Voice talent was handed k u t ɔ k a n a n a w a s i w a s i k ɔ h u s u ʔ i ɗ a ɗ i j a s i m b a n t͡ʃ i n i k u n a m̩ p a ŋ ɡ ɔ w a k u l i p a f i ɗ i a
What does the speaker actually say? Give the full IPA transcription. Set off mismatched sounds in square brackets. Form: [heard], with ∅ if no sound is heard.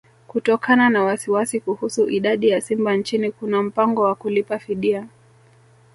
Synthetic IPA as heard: k u t ɔ k a n a n a w a s i w a s i k [u] h u s u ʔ i ɗ a ɗ i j a s i m b a n t͡ʃ i n i k u n a m̩ p a ŋ ɡ ɔ w a k u l i p a f i ɗ i a